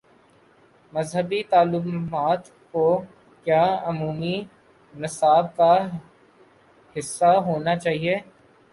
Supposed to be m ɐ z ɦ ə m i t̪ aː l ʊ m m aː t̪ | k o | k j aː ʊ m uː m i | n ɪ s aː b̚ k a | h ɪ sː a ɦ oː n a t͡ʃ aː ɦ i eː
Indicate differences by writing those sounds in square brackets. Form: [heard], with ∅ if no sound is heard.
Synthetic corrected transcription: m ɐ z ɦ ə [b] i t̪ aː l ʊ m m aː t̪ | k o | k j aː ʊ m uː m i | n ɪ s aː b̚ k a | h ɪ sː a ɦ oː n a t͡ʃ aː ɦ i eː